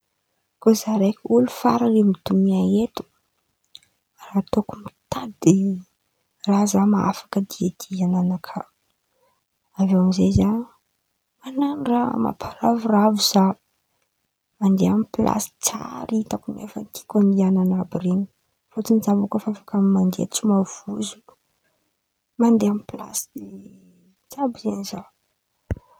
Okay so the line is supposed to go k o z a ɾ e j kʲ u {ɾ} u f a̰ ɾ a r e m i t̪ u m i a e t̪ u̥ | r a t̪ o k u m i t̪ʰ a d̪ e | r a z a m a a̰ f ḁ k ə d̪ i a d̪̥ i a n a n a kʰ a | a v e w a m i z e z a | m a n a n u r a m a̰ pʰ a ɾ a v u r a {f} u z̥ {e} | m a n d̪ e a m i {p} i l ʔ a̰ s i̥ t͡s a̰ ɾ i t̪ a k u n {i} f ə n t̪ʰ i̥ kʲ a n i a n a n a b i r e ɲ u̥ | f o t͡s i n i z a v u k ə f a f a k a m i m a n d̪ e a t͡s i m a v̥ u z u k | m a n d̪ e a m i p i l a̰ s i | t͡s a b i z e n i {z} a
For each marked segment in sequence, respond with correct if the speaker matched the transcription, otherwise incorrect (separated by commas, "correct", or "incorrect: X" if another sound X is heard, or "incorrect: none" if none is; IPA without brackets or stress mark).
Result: incorrect: l, incorrect: v, incorrect: a, correct, incorrect: e, correct